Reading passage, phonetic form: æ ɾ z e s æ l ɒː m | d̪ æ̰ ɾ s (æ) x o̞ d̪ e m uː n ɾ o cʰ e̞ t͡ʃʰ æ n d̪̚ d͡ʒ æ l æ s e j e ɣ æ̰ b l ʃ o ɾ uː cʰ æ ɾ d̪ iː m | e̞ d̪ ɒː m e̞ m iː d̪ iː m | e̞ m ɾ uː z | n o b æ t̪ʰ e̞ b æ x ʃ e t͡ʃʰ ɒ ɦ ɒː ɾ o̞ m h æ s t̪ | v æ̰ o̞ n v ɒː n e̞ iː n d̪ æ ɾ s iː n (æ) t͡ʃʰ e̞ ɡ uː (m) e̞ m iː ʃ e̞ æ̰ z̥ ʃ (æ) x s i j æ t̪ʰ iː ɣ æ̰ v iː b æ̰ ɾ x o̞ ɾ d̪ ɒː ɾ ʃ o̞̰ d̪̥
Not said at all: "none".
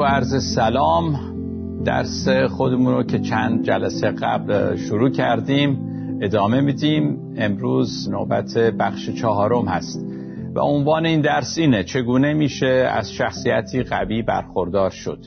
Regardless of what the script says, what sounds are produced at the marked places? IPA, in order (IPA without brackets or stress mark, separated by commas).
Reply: e, e, n, æ